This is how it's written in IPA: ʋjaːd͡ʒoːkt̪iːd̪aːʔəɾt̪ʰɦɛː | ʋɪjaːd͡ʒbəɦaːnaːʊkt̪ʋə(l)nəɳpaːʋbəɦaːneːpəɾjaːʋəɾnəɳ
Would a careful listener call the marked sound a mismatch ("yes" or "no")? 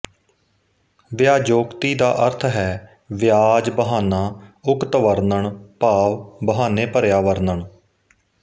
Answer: yes